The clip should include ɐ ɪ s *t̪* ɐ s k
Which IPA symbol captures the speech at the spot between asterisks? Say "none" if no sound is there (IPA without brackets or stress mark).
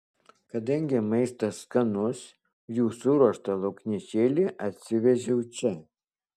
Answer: t̪